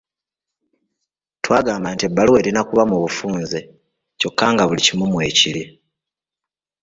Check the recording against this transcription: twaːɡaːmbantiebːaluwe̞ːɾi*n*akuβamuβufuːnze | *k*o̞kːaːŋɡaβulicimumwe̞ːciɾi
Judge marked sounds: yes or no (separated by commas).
yes, no